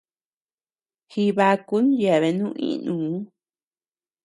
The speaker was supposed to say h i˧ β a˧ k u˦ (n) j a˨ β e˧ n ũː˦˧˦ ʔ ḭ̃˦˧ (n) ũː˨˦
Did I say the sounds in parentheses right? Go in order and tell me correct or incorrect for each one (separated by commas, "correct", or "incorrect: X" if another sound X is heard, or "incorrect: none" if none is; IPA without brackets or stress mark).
correct, correct